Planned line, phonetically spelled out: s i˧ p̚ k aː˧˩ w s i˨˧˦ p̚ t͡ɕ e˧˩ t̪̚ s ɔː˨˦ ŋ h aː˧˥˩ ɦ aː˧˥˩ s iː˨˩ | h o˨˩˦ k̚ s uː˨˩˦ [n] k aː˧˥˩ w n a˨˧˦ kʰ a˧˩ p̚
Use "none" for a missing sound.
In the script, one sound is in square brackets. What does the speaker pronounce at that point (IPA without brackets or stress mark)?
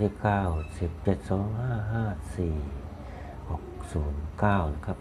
n